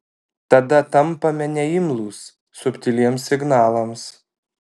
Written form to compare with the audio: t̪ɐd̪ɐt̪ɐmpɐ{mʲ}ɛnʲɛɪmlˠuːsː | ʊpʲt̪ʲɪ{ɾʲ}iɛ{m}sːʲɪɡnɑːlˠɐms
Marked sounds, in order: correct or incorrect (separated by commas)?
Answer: correct, incorrect, correct